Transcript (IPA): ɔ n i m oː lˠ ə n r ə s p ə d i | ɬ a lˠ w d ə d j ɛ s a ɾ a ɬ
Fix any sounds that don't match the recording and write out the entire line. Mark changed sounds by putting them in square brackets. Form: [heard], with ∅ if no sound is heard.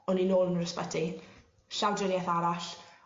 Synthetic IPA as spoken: ɔ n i [n] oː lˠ ə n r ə s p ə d i | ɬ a [∅] w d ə [n] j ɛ [θ] a ɾ a ɬ